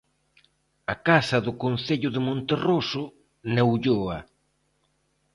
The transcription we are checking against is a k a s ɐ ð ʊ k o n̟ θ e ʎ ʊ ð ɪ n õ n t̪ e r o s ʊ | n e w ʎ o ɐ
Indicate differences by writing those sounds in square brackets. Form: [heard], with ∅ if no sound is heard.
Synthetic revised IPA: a k a s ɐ ð ʊ k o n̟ θ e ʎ ʊ ð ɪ [m] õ n t̪ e r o s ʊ | n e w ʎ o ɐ

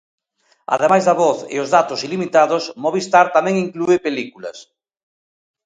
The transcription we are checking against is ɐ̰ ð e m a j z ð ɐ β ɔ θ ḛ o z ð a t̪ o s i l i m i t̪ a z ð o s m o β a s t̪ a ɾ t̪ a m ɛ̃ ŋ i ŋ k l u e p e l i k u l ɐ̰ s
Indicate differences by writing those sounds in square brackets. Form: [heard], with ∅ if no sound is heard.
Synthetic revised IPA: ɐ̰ ð e m a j z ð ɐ β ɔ θ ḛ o z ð a t̪ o s i l i m i t̪ a [∅] ð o s m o β [i] s t̪ a ɾ t̪ a m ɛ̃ ŋ i ŋ k l u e p e l i k u l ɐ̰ s

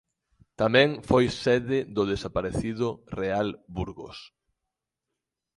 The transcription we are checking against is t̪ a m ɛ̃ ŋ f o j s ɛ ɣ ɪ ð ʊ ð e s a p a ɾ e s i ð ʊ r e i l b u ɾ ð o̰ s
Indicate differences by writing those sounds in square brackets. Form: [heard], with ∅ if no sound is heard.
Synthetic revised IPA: t̪ a m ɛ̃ ŋ f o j s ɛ [ð] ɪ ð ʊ ð e s a p a ɾ e [θ] i ð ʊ r e [a] l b u ɾ [ɣ] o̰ s

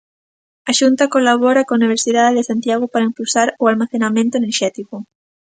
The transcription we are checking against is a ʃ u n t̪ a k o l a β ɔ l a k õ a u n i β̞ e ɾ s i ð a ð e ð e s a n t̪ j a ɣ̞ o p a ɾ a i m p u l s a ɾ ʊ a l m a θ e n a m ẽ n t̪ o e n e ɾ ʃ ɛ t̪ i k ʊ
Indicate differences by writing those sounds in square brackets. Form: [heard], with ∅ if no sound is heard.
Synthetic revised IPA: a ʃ u n t̪ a k o l a β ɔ [ɾ] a k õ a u n i β̞ e ɾ s i ð a ð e ð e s a n t̪ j a ɣ̞ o p a ɾ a i m p u l s a ɾ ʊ a l m a θ e n a m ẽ n t̪ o e n e ɾ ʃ ɛ t̪ i k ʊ

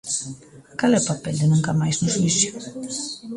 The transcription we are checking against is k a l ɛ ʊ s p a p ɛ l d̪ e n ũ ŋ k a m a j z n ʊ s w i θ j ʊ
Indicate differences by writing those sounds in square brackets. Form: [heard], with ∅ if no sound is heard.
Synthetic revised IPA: k a l ɛ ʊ [∅] p a p ɛ l d̪ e n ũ ŋ k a m a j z n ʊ s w i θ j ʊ

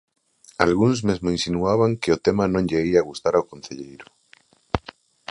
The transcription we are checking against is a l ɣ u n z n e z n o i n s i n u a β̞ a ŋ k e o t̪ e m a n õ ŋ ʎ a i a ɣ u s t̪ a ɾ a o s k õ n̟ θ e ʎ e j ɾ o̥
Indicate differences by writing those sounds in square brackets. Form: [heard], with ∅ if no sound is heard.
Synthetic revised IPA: a l ɣ u n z [m] e z [m] o i n s i n u a β̞ a ŋ k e o t̪ e m a n õ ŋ ʎ [e] i a ɣ u s t̪ a ɾ a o [∅] k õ n̟ θ e ʎ e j ɾ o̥

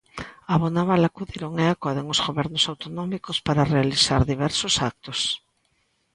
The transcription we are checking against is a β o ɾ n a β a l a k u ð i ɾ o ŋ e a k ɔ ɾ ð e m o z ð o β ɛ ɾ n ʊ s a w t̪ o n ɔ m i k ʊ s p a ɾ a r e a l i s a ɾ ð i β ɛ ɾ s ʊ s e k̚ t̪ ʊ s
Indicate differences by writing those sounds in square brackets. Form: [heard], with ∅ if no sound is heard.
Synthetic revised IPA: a β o [∅] n a β a l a k u ð i ɾ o ŋ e a k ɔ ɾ ð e [ŋ] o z [ɣ] o β ɛ ɾ n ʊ s a w t̪ o n ɔ m i k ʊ s p a ɾ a r e a l i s a ɾ ð i β ɛ ɾ s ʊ s [a] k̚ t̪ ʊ s

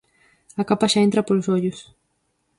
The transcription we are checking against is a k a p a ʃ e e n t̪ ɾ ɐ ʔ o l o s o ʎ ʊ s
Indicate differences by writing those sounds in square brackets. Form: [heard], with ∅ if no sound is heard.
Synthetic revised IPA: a k a p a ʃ [a] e n t̪ ɾ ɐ [p] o l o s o ʎ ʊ s

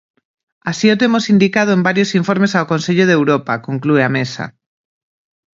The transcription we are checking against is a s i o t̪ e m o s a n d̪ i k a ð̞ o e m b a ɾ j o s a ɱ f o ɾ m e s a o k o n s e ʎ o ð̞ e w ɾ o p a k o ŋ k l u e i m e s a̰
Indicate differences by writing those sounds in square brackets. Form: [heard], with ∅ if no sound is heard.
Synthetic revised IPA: a s i o t̪ e m o s [i] n d̪ i k a ð̞ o e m b a ɾ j o s [i] ɱ f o ɾ m e s a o k o n s e ʎ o ð̞ e w ɾ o p a k o ŋ k l u e [a] m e s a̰

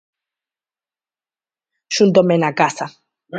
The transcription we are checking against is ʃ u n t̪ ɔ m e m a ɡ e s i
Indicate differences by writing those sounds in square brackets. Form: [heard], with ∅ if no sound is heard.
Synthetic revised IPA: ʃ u n [d̪] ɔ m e [n] a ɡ [a] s [a]

